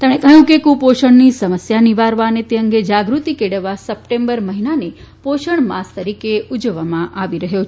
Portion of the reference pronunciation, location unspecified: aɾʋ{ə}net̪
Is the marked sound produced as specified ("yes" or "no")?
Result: no